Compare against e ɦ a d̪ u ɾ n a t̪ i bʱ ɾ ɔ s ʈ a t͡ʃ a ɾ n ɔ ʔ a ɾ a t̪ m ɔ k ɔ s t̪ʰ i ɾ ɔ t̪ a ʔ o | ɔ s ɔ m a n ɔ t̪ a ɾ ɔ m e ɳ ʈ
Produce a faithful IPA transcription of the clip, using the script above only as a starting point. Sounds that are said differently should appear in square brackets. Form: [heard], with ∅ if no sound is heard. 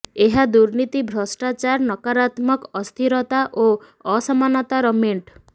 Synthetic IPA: e ɦ a d̪ u ɾ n [i] t̪ i bʱ ɾ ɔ s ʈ a t͡ʃ a ɾ n ɔ [k] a ɾ a t̪ m ɔ k ɔ s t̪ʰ i ɾ ɔ t̪ a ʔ o | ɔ s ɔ m a n ɔ t̪ a ɾ ɔ m e ɳ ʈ